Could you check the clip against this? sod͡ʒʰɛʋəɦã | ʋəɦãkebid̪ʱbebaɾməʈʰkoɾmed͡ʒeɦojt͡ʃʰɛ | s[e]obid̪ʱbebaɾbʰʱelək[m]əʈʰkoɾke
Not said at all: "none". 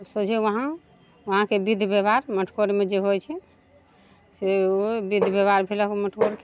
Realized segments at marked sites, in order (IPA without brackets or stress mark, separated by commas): e, m